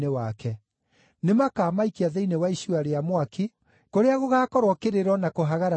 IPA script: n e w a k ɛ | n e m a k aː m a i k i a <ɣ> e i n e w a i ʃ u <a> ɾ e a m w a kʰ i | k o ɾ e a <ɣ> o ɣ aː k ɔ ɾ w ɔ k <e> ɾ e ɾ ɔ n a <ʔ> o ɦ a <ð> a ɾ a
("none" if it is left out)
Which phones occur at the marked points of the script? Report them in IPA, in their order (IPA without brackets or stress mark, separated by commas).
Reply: ð, a, ɣ, e, k, ɣ